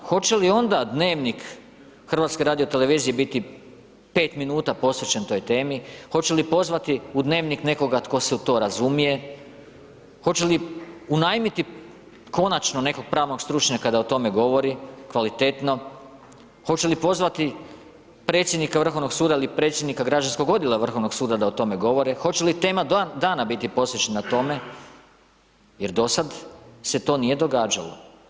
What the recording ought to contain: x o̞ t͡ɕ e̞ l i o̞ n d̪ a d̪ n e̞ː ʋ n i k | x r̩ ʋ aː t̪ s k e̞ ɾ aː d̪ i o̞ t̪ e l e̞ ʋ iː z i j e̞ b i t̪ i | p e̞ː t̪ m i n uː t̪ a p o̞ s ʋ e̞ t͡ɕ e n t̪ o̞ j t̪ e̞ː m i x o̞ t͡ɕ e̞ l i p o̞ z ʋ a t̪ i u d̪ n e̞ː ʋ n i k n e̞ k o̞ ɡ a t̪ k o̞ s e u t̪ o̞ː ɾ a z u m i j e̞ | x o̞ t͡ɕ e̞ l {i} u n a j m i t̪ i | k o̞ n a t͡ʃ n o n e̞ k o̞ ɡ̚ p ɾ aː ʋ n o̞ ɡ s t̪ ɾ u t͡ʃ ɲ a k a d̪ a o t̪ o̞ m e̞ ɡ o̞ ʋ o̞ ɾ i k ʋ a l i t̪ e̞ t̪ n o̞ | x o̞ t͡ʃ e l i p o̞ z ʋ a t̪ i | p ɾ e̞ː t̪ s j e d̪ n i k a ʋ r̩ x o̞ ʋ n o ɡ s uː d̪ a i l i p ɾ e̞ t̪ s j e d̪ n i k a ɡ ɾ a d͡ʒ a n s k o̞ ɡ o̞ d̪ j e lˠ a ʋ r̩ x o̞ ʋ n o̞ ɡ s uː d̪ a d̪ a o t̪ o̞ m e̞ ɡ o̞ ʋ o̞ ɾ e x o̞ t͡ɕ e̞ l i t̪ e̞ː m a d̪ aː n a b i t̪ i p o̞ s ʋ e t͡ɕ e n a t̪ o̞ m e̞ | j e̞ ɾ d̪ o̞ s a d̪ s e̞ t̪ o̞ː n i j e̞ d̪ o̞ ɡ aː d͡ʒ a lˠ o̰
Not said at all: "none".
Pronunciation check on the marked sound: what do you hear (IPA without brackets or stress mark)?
i